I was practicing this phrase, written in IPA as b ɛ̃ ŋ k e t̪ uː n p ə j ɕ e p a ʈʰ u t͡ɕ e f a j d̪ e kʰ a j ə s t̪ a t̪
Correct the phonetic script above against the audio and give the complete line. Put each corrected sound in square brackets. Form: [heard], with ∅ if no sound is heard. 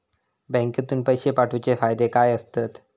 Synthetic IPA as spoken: b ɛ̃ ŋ k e t̪ uː n p ə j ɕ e p a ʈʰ u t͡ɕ e f a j d̪ e [k] a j ə s t̪ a t̪

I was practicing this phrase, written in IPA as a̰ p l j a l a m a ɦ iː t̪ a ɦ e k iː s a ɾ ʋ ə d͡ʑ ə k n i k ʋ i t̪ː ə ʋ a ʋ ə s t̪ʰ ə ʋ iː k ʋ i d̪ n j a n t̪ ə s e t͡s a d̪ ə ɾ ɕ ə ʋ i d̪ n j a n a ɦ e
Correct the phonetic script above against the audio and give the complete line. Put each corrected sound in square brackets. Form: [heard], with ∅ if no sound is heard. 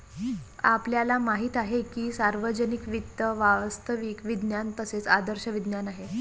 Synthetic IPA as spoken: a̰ p l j a l a m a ɦ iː t̪ a ɦ e k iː s a ɾ ʋ ə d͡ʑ ə [∅] n i k ʋ i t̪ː ə ʋ a ʋ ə s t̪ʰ ə ʋ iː k ʋ i d̪ n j a n t̪ ə s e t͡s a d̪ ə ɾ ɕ ə ʋ i d̪ n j a n a ɦ e

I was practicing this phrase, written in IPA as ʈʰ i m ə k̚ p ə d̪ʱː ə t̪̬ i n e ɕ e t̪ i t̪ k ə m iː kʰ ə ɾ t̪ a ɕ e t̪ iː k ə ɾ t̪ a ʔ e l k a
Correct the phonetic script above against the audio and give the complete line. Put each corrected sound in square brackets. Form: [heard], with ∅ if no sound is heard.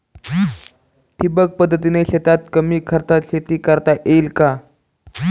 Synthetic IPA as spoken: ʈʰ i [b] ə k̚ p ə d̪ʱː ə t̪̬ i n e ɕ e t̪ [a] t̪ k ə m iː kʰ ə ɾ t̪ a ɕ e t̪ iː k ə ɾ t̪ a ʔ e l k a

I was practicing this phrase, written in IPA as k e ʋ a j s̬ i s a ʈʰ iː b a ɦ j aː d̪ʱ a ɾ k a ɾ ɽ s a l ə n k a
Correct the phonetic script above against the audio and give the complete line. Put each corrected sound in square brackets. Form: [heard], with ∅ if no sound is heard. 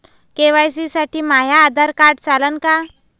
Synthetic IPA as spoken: k e ʋ a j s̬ i s a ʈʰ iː [m] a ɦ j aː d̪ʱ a ɾ k a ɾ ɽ [t͡s] a l ə n k a

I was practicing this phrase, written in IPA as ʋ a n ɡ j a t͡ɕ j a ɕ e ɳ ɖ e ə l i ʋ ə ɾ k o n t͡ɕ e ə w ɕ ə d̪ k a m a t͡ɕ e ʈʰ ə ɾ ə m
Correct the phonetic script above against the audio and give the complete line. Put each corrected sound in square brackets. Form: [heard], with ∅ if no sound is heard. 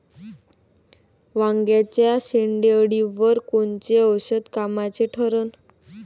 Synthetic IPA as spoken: ʋ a [ŋ] ɡ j a t͡ɕ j a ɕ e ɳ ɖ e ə [ɽ] i ʋ ə ɾ k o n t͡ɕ e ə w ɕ ə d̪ k a m a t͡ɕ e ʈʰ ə ɾ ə [n]

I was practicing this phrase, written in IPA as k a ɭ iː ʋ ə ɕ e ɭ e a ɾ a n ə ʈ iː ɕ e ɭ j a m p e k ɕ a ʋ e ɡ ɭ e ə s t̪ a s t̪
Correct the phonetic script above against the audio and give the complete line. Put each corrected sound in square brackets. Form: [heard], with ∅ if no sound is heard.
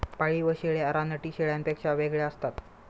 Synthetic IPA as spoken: [p] a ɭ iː ʋ ə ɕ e ɭ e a ɾ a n ə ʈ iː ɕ e ɭ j a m p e k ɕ a ʋ e ɡ ɭ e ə s t̪ a [∅] t̪

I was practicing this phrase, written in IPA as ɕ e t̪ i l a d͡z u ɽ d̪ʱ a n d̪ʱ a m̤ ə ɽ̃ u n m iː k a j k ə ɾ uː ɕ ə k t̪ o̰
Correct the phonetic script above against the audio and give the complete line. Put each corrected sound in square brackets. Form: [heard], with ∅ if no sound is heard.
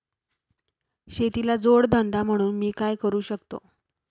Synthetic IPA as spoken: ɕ e t̪ i l a d͡z [o] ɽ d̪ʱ [ə] n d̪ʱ a m̤ ə ɽ̃ [uː] n m iː k a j k ə ɾ uː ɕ ə k t̪ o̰

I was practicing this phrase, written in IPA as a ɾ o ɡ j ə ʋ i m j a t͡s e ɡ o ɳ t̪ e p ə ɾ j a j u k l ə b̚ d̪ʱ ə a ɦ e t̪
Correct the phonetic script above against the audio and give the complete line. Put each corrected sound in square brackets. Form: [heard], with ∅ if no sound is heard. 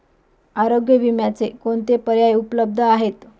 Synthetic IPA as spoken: a ɾ o ɡ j ə ʋ i m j a t͡s e [k] o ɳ t̪ e p ə ɾ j a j u [p] l ə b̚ d̪ʱ ə a ɦ e t̪

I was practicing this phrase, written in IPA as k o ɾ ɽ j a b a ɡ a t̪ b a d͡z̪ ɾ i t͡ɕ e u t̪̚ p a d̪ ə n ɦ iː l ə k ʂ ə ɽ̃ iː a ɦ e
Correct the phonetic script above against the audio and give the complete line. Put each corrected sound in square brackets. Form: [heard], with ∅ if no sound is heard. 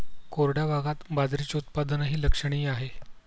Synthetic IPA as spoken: k o ɾ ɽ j a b a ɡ a t̪ b a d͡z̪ ɾ i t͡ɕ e u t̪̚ p a d̪ ə n ɦ iː l ə k ʂ ə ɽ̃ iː a ɦ e

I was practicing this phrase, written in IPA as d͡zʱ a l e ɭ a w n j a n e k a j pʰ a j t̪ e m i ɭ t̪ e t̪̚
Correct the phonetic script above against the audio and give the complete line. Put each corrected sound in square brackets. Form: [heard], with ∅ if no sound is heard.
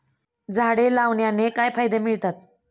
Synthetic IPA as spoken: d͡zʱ a [ɽ] e [l] a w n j a n e k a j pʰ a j [d̪] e m i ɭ t̪ [a] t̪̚

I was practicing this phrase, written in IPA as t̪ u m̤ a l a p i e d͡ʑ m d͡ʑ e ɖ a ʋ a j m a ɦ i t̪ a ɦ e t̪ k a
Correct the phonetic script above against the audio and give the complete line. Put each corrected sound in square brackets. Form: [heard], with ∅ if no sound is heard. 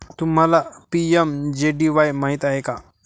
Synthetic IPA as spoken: t̪ u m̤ a l a p i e [∅] m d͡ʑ e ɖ [i] ʋ a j m a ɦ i t̪ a ɦ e [∅] k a

